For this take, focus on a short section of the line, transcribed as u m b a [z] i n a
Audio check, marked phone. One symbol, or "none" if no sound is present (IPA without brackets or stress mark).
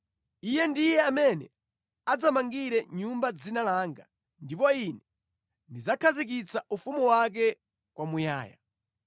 d͡z